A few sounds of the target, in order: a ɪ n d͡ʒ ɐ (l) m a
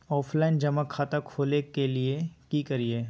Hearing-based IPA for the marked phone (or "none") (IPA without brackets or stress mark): none